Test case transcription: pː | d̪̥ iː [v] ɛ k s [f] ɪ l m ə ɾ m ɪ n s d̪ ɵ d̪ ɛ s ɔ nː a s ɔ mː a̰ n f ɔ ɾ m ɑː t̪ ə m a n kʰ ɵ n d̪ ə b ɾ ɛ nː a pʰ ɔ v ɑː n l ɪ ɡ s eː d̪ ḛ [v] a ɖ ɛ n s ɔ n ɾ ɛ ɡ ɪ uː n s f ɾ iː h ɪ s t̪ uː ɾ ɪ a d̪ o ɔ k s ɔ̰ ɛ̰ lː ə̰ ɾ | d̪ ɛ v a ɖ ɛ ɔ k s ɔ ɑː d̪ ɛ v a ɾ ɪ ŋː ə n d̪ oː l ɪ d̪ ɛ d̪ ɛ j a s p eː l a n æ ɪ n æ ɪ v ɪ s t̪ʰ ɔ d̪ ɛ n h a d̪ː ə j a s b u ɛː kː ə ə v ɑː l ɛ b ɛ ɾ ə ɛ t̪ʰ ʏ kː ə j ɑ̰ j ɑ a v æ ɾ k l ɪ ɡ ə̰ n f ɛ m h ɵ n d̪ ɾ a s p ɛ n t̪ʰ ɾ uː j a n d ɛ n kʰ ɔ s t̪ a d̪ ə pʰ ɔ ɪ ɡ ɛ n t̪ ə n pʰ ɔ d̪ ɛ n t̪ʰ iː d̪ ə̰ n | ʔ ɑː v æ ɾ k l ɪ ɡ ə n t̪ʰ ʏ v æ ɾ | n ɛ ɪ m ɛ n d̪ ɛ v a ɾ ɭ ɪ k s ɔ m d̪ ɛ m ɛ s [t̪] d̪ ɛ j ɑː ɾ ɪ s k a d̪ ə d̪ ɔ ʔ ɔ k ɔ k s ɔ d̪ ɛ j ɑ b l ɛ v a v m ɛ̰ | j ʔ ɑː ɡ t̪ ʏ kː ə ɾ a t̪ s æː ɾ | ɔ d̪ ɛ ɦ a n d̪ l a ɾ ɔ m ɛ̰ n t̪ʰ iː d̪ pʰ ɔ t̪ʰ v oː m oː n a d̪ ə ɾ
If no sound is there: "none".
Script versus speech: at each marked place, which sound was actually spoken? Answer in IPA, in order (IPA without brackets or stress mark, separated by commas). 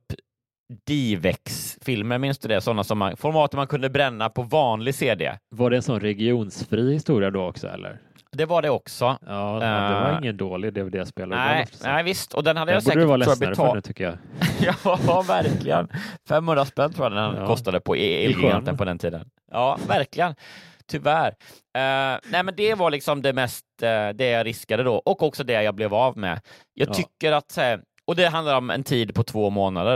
v, f, v, t̪